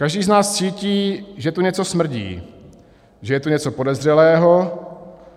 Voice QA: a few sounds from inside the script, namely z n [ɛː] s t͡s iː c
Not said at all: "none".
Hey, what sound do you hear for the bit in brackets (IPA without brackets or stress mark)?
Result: aː